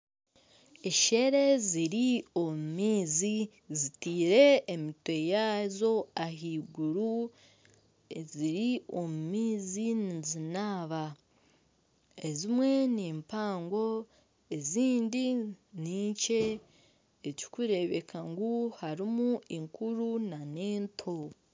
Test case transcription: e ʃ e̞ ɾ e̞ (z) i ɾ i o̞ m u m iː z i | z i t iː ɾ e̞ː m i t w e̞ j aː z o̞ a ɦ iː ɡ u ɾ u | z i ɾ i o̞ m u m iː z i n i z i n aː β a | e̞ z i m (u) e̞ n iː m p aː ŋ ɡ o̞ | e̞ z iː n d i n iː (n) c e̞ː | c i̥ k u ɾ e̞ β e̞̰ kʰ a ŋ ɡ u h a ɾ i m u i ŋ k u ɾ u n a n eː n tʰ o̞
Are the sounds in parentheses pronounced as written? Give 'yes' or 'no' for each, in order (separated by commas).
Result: yes, no, no